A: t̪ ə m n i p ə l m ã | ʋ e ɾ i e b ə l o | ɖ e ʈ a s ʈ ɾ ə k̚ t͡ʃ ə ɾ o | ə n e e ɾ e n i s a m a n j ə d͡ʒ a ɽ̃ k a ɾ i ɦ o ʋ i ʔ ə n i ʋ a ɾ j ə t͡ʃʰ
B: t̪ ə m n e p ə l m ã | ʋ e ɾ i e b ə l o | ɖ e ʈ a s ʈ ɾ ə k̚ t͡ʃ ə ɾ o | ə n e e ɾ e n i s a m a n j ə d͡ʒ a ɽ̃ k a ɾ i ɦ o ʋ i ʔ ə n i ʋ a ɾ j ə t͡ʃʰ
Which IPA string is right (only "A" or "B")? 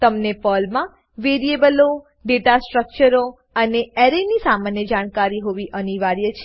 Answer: B